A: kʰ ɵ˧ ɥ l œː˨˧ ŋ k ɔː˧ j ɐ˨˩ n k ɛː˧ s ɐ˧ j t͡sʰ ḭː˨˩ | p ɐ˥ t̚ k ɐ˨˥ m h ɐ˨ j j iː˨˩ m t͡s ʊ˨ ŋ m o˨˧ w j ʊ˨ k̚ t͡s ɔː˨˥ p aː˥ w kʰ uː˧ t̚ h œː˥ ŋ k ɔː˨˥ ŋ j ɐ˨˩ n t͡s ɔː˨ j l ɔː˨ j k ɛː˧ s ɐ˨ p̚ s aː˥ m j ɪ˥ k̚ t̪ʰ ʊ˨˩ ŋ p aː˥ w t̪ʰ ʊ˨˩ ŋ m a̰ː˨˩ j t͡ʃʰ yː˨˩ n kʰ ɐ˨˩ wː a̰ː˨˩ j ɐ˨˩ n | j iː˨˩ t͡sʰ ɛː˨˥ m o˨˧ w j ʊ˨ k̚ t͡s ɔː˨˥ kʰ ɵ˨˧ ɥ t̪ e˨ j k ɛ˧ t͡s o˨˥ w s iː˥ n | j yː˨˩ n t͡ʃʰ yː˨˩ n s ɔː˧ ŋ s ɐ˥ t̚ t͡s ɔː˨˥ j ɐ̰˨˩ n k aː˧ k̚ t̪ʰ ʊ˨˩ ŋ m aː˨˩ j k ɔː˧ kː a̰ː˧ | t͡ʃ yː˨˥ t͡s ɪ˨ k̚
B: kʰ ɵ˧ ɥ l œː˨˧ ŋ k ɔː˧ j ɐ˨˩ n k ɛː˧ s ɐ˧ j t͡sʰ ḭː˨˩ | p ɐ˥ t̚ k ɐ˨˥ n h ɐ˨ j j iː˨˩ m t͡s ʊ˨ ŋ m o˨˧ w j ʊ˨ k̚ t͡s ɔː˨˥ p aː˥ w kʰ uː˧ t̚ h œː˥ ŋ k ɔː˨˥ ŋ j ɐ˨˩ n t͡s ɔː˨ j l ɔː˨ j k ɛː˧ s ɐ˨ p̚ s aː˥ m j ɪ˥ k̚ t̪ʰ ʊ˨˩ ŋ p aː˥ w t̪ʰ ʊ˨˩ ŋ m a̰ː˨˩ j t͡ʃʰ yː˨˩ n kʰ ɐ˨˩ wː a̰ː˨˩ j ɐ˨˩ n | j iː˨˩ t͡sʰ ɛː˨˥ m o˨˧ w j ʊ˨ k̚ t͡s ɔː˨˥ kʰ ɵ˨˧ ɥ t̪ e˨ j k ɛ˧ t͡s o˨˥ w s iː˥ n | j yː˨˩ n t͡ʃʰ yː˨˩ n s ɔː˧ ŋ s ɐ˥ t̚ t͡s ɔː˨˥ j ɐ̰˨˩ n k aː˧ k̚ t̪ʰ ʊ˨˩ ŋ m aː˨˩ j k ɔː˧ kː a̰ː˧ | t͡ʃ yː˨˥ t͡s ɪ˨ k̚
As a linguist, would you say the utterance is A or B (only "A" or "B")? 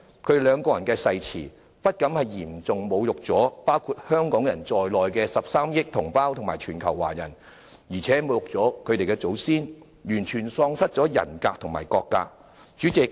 A